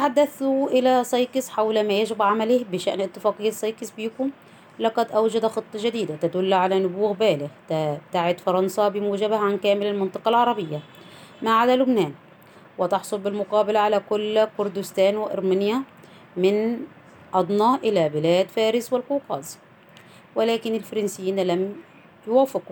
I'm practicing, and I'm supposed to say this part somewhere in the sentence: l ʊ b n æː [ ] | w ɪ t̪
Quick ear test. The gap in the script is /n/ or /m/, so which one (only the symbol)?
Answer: n